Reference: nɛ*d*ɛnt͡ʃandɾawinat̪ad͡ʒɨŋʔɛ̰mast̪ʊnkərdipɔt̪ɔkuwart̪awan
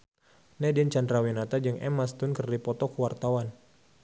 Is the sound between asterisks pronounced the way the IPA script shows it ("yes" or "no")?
yes